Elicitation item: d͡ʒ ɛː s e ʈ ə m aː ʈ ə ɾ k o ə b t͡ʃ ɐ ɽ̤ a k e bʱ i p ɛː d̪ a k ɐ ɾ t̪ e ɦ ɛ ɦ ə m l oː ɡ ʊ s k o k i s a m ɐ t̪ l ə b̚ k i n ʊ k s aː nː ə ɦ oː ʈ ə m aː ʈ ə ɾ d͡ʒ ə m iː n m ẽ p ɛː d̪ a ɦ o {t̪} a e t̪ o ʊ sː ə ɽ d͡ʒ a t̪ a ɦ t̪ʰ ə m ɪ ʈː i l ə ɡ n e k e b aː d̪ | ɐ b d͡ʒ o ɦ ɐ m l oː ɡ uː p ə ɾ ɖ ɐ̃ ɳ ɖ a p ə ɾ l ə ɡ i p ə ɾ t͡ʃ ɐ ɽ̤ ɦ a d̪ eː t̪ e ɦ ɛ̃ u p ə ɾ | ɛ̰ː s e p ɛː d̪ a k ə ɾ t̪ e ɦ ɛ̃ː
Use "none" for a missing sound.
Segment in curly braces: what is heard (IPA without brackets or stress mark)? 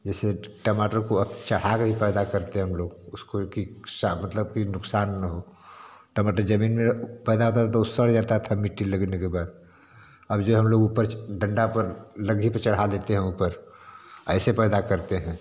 t̪